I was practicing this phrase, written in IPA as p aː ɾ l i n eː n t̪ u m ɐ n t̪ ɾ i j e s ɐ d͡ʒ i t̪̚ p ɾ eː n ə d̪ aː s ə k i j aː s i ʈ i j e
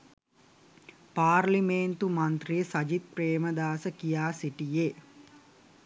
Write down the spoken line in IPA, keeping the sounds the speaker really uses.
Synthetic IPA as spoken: p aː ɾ l i m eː n t̪ u m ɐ n t̪ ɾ i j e s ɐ d͡ʒ i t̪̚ p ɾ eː m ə d̪ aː s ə k i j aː s i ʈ i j e